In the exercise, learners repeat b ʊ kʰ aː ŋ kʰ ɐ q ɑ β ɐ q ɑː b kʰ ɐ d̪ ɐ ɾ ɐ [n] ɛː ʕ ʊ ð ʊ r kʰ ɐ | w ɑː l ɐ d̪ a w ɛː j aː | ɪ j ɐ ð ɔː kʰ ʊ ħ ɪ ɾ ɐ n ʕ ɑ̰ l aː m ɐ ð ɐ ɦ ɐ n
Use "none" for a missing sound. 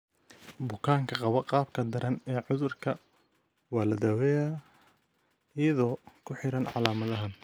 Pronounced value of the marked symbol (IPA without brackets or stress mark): n